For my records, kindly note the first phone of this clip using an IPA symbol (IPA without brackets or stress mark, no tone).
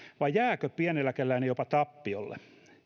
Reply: ʋ